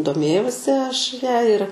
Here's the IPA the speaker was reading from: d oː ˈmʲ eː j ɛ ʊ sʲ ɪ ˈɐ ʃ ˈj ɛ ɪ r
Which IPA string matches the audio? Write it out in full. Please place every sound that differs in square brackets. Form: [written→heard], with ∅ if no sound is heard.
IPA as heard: d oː ˈmʲ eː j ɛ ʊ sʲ ɪ ˈɐ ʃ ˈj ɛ ɪ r